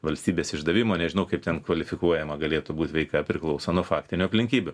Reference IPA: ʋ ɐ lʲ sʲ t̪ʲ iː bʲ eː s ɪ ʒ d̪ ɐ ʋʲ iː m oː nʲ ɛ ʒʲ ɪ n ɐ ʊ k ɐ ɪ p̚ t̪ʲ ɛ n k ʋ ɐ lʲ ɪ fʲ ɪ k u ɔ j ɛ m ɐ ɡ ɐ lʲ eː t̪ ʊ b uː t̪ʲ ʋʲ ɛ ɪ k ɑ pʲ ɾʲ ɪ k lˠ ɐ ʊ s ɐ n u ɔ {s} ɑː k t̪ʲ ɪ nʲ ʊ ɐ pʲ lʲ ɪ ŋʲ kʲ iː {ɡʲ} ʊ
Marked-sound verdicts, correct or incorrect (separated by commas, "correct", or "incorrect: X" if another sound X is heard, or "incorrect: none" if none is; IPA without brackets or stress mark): incorrect: f, incorrect: bʲ